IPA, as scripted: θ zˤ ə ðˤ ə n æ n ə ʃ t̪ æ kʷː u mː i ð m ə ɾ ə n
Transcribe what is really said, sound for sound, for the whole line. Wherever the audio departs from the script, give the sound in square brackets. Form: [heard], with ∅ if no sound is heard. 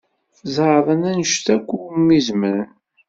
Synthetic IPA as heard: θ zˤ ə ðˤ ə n æ n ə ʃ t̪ æ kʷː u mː i [z] m ə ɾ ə n